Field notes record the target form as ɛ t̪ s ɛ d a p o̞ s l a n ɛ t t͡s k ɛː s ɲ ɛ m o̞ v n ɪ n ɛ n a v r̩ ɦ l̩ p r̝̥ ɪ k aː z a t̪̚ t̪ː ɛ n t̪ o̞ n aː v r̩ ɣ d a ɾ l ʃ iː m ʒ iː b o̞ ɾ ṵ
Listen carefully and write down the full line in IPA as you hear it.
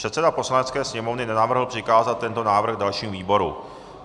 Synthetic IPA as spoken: ɛ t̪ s ɛ d a p o̞ s l a n ɛ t t͡s k ɛː s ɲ ɛ m o̞ v n ɪ n ɛ n a v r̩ ɦ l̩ p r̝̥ ɪ k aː z a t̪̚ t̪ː ɛ n t̪ o̞ n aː v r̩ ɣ d a l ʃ iː m v iː b o̞ ɾ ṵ